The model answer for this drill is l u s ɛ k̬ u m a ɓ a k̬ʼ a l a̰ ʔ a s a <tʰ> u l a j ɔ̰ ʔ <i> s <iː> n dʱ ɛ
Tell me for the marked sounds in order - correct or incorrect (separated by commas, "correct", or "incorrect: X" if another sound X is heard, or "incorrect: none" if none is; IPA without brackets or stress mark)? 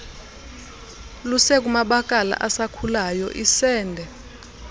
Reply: incorrect: kʰ, correct, incorrect: ɛː